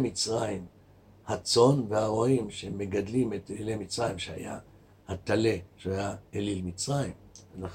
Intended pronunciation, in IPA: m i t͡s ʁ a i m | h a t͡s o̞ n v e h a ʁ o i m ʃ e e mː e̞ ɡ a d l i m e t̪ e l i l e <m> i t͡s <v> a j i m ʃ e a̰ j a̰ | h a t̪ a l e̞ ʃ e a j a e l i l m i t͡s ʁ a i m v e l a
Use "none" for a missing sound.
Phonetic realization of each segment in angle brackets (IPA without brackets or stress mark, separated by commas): m, ʁ